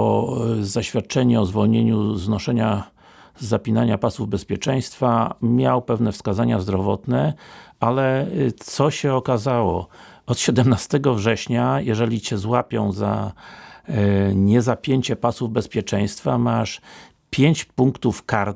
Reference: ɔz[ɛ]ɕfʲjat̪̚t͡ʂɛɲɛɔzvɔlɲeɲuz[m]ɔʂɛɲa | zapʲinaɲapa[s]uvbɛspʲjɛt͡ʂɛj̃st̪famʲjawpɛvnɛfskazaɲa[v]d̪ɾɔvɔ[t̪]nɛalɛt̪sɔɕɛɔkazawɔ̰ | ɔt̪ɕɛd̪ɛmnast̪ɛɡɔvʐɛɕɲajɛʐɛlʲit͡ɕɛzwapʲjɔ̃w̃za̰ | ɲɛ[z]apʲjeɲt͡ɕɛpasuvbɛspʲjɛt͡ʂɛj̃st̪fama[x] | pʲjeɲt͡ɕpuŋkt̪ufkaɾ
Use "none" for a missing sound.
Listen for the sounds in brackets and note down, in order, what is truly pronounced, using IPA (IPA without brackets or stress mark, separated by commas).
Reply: a, n, s, z, t̪, z, ʂ